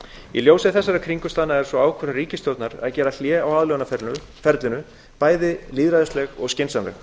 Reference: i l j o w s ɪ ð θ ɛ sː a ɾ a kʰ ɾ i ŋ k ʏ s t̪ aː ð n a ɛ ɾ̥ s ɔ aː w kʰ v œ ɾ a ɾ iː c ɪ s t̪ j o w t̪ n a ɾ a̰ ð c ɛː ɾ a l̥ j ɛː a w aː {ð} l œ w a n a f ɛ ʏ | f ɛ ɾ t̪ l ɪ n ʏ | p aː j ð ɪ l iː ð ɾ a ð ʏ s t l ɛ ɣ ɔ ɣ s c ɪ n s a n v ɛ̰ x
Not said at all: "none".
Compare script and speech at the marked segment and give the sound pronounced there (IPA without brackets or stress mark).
ð